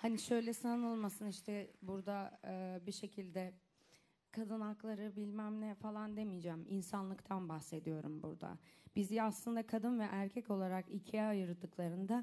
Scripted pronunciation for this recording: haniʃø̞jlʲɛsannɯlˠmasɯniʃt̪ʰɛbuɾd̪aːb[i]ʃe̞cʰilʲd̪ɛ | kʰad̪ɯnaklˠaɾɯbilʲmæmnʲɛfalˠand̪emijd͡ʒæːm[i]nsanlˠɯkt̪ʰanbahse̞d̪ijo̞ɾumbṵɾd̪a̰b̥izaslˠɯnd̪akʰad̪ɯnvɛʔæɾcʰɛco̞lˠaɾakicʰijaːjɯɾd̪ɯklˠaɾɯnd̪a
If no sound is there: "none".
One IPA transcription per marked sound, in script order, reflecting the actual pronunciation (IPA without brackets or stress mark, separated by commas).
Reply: i, i